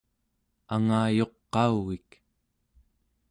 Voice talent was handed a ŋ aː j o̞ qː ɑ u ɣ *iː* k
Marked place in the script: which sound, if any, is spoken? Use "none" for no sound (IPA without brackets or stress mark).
i